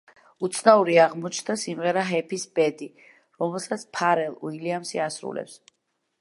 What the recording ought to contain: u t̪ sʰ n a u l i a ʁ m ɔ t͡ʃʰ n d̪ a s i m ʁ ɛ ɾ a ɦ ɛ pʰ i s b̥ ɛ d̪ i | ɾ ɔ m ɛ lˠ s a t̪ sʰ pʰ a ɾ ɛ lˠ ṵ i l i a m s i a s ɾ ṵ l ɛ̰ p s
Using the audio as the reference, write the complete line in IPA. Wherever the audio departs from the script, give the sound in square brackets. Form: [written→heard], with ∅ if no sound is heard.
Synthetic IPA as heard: u t̪ sʰ n a u [l→ɾ] i a ʁ m ɔ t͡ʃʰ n d̪ a s i m ʁ ɛ ɾ a ɦ ɛ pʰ i s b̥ ɛ d̪ i | ɾ ɔ m ɛ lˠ s a t̪ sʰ pʰ a ɾ ɛ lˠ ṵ i l i a m s i a s ɾ ṵ l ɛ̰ p s